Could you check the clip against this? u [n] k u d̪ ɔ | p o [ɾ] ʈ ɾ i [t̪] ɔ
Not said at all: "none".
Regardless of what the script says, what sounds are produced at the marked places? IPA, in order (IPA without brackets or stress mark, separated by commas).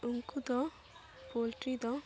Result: ŋ, l, d̪